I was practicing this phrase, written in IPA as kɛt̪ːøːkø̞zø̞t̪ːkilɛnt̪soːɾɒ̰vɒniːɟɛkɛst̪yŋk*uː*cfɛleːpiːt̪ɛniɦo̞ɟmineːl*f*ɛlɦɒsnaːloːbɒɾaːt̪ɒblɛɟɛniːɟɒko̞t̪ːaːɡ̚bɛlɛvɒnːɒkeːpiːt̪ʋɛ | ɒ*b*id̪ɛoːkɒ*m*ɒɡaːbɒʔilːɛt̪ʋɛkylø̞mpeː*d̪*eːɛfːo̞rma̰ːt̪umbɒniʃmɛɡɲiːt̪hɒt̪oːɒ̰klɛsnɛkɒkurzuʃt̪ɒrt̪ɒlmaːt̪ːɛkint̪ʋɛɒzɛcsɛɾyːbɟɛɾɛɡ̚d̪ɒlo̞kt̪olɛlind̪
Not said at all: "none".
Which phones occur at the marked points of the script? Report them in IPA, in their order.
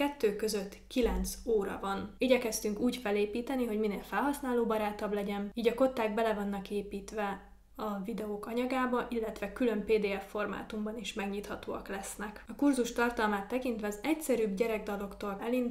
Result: uː, f, v, ɲ, d̪

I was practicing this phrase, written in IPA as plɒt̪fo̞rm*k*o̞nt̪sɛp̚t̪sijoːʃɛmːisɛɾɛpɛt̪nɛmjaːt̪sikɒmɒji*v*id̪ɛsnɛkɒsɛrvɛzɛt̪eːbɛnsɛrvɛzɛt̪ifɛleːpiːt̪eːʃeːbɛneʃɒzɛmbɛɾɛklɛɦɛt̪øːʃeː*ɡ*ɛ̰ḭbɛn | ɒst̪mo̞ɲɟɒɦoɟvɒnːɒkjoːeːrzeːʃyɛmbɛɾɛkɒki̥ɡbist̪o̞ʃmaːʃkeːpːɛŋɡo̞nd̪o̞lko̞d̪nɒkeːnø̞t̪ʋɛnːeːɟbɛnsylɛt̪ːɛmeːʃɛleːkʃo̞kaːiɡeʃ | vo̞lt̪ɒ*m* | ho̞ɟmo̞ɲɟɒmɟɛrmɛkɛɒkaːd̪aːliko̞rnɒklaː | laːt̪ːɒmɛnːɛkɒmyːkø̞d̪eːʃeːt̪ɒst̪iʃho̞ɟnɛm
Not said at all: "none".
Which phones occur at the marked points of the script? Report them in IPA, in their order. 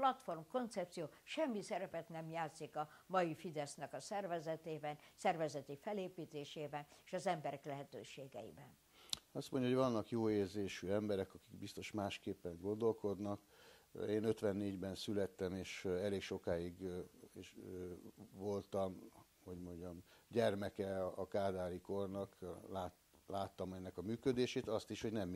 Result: k, f, ɡ, m

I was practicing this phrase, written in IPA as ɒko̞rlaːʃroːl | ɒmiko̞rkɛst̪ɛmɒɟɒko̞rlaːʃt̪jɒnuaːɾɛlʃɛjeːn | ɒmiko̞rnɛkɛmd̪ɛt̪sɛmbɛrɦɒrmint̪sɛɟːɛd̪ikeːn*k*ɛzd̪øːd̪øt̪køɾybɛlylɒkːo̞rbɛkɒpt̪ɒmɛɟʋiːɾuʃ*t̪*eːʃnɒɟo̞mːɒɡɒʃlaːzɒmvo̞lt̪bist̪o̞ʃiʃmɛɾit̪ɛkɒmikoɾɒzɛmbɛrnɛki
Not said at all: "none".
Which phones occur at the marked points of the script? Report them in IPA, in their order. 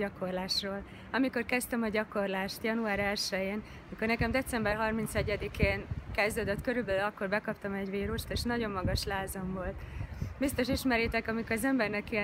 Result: k, t̪

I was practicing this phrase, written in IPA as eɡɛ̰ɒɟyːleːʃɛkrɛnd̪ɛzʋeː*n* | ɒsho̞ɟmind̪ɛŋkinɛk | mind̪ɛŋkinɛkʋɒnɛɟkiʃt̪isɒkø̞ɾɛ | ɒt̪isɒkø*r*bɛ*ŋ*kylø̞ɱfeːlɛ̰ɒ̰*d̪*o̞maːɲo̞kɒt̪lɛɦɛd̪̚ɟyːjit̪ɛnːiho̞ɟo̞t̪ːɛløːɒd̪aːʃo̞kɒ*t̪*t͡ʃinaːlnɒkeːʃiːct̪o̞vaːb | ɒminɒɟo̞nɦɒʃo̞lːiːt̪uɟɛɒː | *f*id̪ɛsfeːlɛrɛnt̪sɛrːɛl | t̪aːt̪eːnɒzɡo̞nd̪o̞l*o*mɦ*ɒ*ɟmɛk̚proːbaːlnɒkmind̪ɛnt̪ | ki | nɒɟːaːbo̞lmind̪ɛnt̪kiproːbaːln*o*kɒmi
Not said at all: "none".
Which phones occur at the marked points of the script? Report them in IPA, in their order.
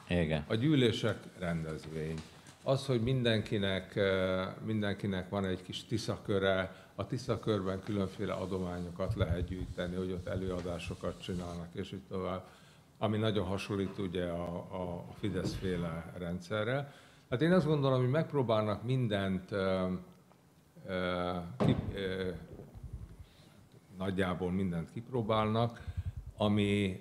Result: ɲ, r, ŋ, d̪, t̪, f, o, o, ɒ

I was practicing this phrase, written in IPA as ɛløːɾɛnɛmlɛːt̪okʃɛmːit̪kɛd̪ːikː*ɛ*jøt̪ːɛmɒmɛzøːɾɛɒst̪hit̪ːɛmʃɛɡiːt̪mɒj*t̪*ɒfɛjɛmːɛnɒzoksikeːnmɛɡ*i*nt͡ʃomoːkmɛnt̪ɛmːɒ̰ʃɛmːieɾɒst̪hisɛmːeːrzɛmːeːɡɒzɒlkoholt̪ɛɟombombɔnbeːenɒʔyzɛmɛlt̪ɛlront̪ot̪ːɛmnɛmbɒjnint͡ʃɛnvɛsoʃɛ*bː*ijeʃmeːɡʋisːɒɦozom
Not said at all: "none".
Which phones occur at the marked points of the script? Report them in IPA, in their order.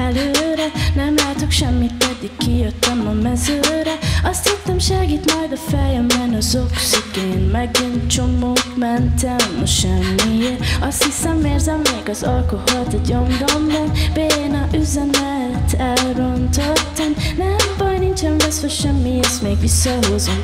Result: i, d̪, i, mː

